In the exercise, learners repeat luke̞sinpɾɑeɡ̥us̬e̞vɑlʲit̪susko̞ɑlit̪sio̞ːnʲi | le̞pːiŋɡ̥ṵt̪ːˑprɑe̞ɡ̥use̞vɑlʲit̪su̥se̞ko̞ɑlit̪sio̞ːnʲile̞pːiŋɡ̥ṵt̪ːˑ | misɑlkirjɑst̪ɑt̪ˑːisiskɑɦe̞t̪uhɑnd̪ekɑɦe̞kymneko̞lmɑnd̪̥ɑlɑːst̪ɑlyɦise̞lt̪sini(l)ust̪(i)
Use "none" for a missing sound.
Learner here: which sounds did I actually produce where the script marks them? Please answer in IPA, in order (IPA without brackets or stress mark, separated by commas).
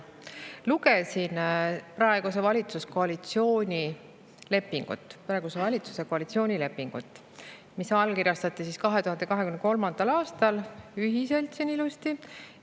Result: l, i